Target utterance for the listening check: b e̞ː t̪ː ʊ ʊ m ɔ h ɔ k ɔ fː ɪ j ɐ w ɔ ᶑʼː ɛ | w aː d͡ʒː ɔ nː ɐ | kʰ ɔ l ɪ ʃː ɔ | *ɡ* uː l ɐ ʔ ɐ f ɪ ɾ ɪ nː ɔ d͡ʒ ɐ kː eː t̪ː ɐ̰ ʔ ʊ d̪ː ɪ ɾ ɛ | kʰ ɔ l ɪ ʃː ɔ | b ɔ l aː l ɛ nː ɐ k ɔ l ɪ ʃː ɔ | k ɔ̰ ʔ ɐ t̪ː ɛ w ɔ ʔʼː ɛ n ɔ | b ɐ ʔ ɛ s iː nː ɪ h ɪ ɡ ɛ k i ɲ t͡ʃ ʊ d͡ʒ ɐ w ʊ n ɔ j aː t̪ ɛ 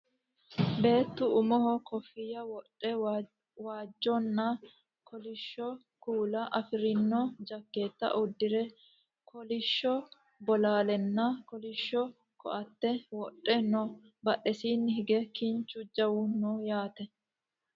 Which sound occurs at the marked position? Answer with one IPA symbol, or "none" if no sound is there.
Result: k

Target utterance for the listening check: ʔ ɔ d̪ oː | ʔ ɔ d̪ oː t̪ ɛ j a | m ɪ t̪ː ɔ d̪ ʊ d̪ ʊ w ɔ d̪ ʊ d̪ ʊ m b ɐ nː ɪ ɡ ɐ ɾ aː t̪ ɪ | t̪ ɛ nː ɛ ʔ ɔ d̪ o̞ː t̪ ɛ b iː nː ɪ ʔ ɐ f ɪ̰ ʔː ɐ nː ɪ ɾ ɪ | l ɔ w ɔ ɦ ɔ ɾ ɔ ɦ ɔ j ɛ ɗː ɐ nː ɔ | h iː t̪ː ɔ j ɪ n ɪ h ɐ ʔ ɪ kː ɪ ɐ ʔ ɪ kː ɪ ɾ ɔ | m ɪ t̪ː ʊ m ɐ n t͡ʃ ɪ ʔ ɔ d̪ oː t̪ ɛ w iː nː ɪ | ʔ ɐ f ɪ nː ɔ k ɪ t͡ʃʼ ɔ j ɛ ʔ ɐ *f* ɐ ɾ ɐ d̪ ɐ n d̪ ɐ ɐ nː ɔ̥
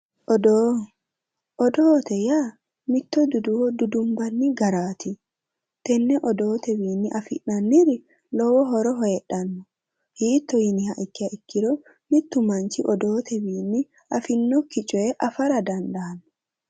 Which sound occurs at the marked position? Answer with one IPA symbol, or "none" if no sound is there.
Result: f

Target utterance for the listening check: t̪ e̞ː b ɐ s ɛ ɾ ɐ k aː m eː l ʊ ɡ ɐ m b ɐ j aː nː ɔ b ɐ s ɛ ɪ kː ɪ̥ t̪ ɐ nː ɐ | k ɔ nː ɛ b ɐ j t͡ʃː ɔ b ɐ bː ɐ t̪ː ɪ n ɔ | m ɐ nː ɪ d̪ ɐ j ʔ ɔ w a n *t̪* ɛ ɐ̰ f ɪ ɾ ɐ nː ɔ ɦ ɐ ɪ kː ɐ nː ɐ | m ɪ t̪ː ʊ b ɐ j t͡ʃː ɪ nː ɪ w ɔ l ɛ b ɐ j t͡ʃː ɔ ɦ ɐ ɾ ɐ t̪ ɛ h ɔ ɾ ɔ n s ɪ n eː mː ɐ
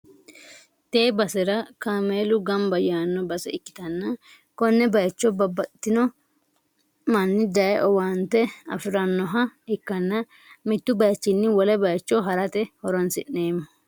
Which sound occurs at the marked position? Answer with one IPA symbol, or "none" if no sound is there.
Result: t̪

